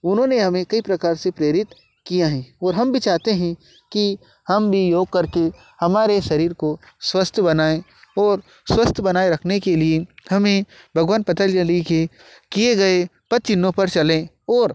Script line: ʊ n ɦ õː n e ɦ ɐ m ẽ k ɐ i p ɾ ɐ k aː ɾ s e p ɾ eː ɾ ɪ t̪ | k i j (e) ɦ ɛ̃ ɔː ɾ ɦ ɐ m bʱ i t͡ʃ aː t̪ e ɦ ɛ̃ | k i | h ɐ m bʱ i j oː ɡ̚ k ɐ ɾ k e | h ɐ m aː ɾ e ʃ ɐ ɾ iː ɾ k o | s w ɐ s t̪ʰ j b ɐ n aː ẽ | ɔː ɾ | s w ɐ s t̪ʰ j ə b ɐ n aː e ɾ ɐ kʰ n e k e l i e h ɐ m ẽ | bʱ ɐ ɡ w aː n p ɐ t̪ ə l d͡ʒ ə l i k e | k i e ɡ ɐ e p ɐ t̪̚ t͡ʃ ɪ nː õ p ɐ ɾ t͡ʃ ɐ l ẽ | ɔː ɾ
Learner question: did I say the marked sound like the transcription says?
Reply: no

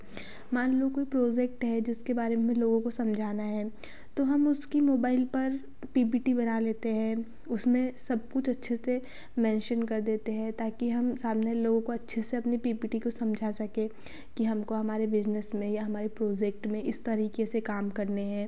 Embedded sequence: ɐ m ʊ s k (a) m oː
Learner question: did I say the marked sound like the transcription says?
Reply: no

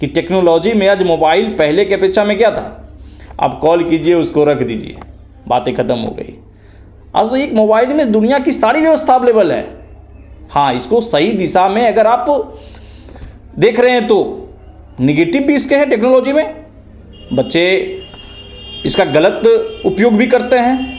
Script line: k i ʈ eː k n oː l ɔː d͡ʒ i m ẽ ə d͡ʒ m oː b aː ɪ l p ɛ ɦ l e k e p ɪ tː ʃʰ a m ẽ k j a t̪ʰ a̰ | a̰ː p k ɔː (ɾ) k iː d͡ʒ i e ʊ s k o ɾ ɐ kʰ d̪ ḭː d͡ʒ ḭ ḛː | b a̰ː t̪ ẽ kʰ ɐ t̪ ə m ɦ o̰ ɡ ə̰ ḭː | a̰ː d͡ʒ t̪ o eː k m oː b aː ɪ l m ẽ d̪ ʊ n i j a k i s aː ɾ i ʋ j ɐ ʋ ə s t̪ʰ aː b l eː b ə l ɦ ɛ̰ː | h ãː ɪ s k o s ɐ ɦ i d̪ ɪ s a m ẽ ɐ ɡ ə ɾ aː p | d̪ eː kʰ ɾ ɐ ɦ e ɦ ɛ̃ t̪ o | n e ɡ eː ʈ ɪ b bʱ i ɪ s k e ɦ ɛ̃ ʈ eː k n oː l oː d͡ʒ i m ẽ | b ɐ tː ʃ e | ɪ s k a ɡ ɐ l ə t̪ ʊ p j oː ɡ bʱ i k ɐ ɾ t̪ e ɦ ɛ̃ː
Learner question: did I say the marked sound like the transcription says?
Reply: no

